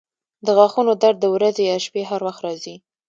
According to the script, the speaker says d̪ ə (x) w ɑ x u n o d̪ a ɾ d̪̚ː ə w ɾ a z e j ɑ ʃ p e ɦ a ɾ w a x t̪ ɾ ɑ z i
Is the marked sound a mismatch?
yes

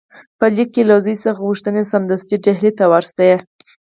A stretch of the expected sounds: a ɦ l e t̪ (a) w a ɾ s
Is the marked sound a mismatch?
no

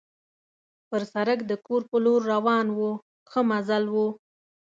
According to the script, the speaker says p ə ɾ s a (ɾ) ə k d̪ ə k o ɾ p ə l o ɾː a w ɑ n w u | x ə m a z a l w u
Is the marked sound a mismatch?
no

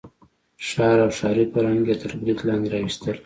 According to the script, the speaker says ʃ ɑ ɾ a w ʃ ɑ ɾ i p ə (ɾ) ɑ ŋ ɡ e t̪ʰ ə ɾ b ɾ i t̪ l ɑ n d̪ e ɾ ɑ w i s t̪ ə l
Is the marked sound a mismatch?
no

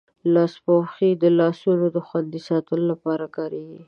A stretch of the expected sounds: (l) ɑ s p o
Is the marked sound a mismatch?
no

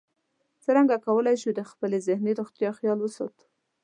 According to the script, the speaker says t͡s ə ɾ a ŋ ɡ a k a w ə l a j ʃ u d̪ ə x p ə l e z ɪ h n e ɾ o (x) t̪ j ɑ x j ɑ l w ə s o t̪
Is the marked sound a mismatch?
no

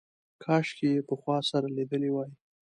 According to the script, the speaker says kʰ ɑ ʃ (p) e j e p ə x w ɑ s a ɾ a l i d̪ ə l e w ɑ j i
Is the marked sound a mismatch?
yes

